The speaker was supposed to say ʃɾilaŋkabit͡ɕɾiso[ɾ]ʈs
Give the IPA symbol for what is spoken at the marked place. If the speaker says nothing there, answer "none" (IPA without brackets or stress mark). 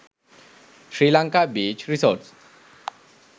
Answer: ɾ